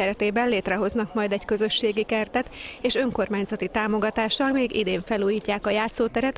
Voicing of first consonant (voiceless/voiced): voiced